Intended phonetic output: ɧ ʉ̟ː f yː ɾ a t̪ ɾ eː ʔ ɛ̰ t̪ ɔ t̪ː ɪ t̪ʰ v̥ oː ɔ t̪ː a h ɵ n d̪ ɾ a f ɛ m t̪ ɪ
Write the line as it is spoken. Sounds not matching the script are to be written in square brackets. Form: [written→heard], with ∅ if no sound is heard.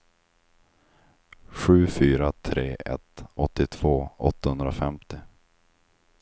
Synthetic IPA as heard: ɧ ʉ̟ː f yː ɾ a [t̪→t̪ʰ] ɾ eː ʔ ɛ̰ t̪ ɔ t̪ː ɪ t̪ʰ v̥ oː ɔ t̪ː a h ɵ n d̪ ɾ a f ɛ m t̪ ɪ